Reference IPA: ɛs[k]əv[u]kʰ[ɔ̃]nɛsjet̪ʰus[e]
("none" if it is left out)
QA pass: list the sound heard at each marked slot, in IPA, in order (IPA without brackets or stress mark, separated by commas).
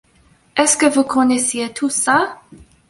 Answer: k, u, ɔ, a